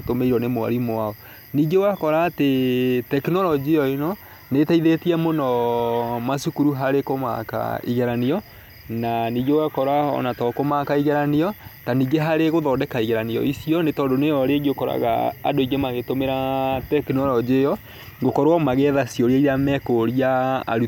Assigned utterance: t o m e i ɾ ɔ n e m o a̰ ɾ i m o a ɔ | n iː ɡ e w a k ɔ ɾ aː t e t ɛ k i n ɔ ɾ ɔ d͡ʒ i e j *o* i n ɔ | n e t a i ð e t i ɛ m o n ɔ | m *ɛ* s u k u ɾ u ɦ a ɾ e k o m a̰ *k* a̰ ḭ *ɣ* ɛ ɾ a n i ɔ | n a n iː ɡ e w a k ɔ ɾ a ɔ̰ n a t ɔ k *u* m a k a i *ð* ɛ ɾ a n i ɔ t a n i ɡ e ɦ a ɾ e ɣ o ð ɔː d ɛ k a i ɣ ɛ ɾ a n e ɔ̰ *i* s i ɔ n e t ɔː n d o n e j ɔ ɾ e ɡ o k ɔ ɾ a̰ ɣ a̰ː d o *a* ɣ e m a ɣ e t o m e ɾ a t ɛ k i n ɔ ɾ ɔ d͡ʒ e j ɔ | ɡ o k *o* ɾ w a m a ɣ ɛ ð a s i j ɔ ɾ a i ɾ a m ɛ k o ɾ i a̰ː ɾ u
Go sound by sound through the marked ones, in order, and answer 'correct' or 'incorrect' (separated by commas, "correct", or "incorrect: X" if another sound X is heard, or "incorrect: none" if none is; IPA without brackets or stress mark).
incorrect: ɔ, incorrect: a, correct, correct, incorrect: o, incorrect: ɣ, correct, incorrect: i, incorrect: ɔ